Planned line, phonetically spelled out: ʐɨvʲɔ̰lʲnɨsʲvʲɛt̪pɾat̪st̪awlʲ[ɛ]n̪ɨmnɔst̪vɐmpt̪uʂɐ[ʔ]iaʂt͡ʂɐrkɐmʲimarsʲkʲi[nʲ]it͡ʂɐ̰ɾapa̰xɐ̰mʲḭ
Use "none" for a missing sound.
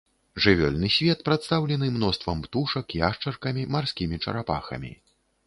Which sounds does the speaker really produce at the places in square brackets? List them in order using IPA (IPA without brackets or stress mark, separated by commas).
ɛ, k, mʲ